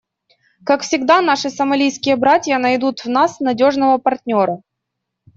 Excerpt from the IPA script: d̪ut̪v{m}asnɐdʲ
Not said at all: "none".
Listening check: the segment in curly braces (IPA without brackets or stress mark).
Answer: n